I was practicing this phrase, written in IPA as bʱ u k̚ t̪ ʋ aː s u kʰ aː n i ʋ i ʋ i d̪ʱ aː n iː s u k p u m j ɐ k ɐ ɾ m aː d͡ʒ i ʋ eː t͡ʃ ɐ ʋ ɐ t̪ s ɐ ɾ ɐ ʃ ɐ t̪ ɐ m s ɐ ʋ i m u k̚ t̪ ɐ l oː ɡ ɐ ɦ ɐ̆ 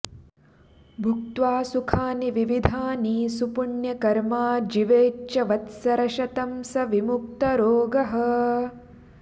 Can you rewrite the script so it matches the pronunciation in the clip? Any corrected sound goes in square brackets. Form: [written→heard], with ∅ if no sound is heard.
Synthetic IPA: bʱ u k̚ t̪ ʋ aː s u kʰ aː n i ʋ i ʋ i d̪ʱ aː n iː s u [k→∅] p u [m→ɳ] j ɐ k ɐ ɾ m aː d͡ʒ i ʋ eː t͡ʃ ɐ ʋ ɐ t̪ s ɐ ɾ ɐ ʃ ɐ t̪ ɐ m s ɐ ʋ i m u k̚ t̪ ɐ [l→ɾ] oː ɡ ɐ ɦ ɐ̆